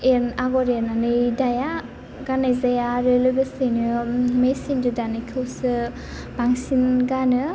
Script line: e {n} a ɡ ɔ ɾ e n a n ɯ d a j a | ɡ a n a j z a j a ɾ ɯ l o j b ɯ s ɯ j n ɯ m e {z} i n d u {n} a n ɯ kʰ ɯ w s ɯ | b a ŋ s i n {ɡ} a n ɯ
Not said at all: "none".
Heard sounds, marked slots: n, s, d, ɡ

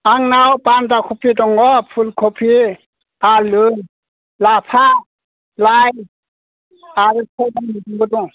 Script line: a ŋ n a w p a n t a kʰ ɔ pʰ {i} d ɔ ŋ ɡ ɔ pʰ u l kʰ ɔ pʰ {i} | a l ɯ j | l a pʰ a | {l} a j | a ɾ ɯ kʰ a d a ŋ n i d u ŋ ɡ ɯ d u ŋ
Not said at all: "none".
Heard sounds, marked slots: i, i, l

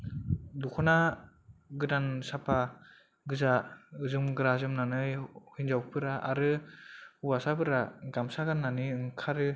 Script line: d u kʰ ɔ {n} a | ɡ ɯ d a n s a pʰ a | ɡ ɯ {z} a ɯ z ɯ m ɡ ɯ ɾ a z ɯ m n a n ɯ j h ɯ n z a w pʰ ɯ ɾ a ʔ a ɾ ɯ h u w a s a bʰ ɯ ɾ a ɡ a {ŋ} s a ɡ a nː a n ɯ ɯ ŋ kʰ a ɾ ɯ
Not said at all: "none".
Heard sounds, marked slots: n, z, m

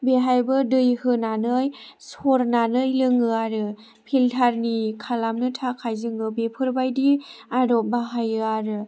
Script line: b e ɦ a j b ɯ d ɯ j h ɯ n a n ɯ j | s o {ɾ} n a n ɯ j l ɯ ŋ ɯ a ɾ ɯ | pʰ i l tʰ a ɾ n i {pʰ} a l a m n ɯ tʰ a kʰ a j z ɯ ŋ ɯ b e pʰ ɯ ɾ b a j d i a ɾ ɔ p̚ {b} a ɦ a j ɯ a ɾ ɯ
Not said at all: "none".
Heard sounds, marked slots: ɾ, kʰ, b

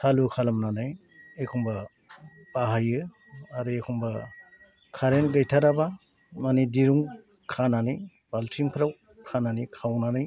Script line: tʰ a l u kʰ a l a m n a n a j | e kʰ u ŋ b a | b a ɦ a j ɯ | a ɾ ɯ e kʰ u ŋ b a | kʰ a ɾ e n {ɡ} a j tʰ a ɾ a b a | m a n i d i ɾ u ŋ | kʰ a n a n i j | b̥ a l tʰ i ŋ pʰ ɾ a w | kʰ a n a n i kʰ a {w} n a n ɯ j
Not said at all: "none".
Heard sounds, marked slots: ɡ, w

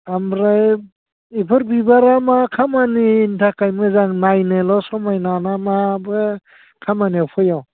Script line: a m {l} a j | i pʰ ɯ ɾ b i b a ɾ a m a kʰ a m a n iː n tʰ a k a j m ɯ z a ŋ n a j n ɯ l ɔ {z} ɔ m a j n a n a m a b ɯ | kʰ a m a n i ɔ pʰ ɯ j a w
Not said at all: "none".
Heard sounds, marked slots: ɾ, s

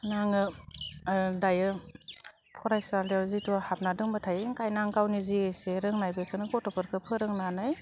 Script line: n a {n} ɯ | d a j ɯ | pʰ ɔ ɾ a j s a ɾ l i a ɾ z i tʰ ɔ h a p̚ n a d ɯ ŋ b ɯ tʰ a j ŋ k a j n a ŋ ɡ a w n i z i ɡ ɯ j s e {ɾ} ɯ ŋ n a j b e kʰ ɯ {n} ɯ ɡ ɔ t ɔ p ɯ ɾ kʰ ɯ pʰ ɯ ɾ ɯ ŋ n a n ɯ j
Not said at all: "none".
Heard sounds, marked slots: ŋ, ɾ, n

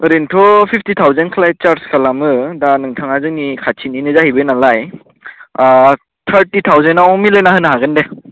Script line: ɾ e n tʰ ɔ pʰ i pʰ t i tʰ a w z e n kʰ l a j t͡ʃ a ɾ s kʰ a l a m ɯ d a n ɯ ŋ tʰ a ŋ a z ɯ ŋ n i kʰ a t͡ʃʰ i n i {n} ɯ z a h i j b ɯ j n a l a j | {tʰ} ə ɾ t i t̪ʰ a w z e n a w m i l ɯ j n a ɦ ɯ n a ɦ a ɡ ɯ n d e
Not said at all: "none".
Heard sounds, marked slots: n, tʰ

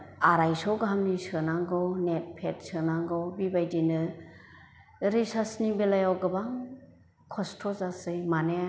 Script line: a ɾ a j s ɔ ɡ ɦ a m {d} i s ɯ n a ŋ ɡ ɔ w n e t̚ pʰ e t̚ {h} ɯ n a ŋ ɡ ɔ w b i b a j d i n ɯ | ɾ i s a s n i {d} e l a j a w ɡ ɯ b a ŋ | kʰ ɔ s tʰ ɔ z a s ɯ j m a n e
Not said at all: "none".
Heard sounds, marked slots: n, s, b

